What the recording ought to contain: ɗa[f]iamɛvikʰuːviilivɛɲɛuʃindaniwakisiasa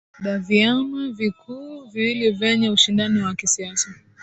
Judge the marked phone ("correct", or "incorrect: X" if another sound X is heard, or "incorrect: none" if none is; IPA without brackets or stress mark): incorrect: v